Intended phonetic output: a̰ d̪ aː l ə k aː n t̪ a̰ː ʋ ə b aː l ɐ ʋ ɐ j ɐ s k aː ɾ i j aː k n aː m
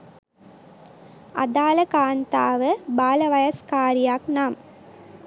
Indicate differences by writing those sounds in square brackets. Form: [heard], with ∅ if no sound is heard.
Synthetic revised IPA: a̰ d̪ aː l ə k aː n t̪ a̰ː ʋ ə b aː l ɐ ʋ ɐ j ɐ s k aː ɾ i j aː k n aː m